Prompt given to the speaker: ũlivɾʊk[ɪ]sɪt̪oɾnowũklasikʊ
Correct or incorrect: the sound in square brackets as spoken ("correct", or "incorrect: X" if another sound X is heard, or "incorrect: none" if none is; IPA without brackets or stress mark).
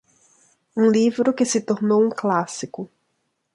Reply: correct